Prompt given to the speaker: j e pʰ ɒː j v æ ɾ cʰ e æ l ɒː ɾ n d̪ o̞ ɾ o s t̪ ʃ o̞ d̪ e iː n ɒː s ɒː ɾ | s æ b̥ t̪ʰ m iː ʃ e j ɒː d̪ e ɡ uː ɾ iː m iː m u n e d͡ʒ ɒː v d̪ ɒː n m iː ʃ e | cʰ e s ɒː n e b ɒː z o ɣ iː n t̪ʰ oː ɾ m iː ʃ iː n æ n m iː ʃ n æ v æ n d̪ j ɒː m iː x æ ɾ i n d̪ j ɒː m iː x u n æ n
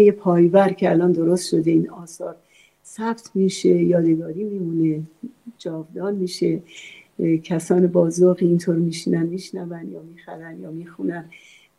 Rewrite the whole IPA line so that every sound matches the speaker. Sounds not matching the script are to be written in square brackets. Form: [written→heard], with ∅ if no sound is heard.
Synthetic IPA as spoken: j e pʰ ɒː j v æ ɾ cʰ e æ l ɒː [ɾ→∅] n d̪ o̞ ɾ o s t̪ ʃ o̞ d̪ e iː n ɒː s ɒː ɾ | s æ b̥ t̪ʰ m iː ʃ e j ɒː d̪ e ɡ [uː→ɒː] ɾ iː m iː m u n e d͡ʒ ɒː v d̪ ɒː n m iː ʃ e | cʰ [e→æ] s ɒː n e b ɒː z o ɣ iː n t̪ʰ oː ɾ m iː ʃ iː n æ n m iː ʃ n æ v æ n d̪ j ɒː m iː x æ ɾ [i→æ] n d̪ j ɒː m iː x u n æ n